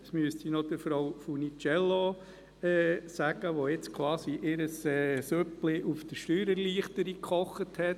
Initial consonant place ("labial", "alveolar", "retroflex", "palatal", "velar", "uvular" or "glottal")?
alveolar